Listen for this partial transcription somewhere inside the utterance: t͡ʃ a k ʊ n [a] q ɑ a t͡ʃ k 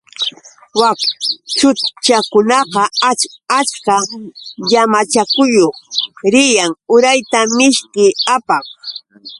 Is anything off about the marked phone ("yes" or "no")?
yes